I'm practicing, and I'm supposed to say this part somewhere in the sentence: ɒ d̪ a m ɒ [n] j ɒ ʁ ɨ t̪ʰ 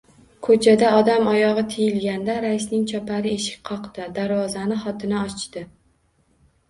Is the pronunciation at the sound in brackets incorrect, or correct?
incorrect